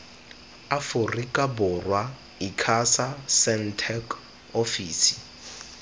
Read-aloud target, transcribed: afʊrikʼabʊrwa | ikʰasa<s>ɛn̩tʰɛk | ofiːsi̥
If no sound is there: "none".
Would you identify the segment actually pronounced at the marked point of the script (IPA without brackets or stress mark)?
s